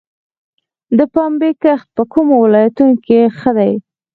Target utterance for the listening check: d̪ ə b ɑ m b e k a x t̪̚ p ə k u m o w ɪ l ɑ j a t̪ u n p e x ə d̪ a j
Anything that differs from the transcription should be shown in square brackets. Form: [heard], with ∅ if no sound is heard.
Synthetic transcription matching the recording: d̪ ə [p] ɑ m b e k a x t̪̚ p ə k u m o w ɪ l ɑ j a t̪ u n [k] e x ə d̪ a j